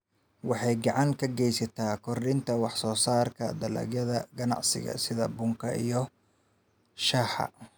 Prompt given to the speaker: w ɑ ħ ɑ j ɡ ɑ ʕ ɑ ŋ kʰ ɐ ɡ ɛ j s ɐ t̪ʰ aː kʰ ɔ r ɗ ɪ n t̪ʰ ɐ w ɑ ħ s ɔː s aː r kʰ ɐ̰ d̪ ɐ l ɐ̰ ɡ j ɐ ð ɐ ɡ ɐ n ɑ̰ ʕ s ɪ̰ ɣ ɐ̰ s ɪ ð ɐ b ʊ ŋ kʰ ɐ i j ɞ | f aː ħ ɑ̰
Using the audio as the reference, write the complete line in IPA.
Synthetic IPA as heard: w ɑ ħ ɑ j ɡ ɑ ʕ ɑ ŋ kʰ ɐ ɡ ɛ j s ɐ t̪ʰ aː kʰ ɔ r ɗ ɪ n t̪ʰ ɐ w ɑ ħ s ɔː s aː r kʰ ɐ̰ d̪ ɐ l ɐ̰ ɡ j ɐ ð ɐ ɡ ɐ n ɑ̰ ʕ s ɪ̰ ɣ ɐ̰ s ɪ ð ɐ b ʊ ŋ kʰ ɐ i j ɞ | ʃ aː ħ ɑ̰